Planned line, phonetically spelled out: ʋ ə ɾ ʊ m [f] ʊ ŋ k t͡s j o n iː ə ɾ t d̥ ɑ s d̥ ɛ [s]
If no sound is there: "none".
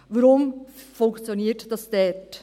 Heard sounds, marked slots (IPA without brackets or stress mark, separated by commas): f, t